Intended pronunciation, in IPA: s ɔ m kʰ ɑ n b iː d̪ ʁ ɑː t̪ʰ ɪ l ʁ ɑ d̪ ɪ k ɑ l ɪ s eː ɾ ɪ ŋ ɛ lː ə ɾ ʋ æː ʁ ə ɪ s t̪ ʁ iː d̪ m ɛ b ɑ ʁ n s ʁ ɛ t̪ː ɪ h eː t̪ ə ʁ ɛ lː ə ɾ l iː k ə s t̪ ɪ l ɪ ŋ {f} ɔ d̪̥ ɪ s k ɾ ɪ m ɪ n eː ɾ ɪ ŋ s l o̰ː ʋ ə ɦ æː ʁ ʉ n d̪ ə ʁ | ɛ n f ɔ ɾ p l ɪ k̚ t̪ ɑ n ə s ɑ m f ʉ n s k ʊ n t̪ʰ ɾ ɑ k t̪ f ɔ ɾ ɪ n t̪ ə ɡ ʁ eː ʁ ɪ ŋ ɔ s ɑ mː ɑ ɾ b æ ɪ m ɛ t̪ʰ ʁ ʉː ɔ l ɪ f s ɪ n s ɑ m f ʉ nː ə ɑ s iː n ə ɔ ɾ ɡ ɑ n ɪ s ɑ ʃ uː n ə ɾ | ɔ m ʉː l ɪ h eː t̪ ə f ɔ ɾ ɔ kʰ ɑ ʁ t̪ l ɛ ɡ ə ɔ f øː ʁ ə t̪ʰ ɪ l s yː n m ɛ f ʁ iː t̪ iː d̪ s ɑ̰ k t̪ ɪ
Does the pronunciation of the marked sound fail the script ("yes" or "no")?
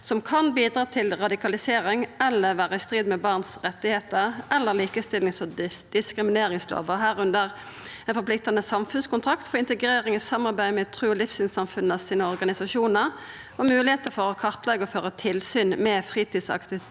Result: yes